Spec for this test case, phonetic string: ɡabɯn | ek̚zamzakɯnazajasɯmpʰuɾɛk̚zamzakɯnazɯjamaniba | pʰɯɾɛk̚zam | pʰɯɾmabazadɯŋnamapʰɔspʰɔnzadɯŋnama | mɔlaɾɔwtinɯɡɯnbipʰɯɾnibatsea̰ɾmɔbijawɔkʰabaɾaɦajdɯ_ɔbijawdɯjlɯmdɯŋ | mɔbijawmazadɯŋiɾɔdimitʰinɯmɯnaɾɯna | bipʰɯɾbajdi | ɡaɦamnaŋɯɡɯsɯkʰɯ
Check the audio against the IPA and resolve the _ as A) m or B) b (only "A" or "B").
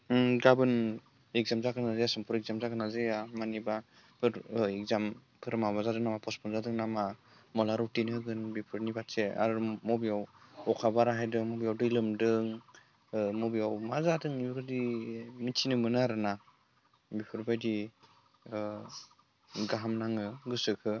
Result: A